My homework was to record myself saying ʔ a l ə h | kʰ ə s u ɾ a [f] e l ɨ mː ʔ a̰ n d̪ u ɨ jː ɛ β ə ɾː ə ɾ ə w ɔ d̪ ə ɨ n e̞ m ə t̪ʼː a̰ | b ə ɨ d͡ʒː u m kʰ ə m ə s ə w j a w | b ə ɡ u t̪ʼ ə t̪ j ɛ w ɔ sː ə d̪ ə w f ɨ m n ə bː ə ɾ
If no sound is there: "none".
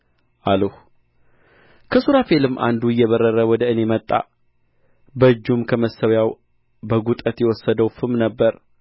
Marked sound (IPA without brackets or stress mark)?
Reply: f